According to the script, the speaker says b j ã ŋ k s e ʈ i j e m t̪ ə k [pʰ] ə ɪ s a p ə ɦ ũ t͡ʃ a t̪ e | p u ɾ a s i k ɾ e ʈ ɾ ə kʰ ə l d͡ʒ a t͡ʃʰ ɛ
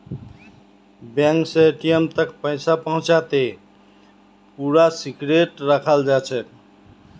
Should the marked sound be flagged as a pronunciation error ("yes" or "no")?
yes